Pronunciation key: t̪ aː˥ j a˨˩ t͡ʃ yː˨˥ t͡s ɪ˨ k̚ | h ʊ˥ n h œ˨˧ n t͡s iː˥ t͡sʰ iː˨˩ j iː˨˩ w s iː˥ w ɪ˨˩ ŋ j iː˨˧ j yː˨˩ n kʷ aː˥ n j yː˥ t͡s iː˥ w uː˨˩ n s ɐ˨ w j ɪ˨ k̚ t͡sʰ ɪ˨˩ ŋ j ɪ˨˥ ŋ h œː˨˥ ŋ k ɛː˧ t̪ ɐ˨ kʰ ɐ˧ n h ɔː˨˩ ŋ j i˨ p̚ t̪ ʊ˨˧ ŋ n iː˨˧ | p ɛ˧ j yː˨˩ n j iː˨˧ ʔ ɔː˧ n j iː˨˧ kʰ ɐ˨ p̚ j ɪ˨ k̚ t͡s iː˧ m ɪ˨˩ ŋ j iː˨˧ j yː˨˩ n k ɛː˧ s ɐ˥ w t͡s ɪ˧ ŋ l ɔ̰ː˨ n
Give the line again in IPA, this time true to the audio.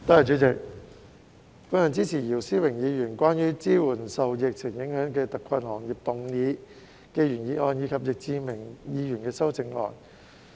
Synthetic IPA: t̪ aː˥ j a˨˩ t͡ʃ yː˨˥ t͡s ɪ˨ k̚ | f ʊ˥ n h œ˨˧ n t͡s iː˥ t͡sʰ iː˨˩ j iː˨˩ w s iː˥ w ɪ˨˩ ŋ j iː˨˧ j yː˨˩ n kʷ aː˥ n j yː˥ t͡s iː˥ w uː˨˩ n s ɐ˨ w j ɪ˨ k̚ t͡sʰ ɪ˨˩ ŋ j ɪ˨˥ ŋ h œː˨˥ ŋ k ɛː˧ t̪ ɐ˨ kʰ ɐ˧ n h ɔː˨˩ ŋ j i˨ p̚ t̪ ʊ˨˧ ŋ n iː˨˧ | k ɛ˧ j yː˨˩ n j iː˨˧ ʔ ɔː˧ n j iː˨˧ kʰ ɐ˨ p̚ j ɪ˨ k̚ t͡s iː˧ m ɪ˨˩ ŋ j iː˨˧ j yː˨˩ n k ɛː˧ s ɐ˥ w t͡s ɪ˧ ŋ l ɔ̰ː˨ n